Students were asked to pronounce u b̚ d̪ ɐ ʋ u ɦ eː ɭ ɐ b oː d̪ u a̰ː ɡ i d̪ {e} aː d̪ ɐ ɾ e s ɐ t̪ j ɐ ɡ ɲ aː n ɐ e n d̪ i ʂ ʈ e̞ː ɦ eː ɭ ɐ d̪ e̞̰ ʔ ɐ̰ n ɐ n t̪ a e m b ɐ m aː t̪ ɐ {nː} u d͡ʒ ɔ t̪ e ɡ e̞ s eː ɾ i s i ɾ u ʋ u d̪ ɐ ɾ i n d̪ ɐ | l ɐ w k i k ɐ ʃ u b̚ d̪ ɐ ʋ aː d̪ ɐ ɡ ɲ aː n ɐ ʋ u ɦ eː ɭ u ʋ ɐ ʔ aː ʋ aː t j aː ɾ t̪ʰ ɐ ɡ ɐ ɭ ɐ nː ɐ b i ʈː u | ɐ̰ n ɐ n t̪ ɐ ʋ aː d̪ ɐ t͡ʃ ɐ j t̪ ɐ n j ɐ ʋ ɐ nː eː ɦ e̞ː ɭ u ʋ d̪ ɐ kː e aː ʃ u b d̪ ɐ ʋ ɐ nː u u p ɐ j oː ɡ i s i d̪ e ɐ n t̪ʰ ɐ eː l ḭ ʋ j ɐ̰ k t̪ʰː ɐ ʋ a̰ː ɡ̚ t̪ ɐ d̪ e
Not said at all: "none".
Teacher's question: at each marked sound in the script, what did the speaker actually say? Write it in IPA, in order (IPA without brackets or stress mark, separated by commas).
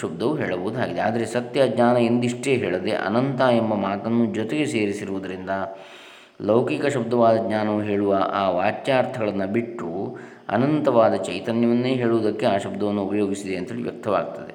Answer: e, nː